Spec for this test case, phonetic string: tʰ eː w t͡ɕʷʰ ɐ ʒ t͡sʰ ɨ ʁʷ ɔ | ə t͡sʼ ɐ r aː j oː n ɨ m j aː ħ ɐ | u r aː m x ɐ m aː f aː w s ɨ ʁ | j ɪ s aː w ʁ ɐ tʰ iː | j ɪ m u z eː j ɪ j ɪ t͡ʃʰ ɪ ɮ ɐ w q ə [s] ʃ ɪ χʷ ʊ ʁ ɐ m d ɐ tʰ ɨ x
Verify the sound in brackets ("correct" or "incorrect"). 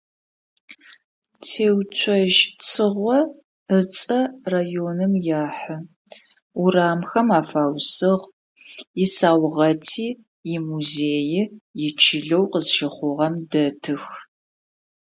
incorrect